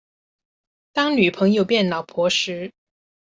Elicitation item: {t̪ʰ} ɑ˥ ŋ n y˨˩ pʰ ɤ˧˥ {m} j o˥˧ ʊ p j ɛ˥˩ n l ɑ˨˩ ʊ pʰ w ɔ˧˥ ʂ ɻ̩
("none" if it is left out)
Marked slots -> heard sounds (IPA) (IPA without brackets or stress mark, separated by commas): t̪, ŋ